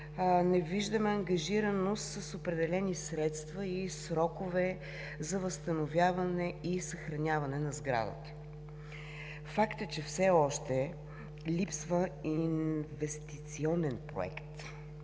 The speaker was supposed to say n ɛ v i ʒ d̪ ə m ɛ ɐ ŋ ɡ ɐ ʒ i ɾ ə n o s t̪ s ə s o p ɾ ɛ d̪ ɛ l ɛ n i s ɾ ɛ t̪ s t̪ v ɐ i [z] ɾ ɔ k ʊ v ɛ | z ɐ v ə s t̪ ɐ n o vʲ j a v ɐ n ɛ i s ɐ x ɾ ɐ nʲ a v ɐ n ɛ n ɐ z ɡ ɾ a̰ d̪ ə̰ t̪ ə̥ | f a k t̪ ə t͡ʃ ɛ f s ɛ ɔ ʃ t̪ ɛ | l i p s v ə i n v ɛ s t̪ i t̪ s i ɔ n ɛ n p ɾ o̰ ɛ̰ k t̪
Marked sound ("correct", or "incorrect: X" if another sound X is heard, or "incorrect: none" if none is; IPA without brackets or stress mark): incorrect: s